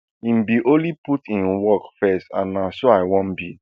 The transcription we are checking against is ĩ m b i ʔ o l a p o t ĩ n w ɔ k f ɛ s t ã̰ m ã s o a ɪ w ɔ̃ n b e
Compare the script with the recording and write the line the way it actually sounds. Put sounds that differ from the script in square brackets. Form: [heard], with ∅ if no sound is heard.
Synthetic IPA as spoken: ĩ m b i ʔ o l [i] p [u] t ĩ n w ɔ k f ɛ s t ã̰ [n] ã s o a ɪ w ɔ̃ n b [i]